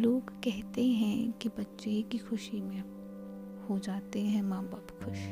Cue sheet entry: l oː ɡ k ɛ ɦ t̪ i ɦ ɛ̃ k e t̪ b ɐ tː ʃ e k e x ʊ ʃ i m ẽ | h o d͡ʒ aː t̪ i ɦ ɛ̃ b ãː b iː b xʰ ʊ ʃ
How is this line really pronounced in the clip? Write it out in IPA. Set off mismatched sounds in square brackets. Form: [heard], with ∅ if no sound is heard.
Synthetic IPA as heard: l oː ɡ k ɛ ɦ t̪ [e] ɦ ɛ̃ k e [∅] b ɐ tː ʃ e k [i] x ʊ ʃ i m ẽ | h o d͡ʒ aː t̪ [e] ɦ ɛ̃ [m] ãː b [aː] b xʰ ʊ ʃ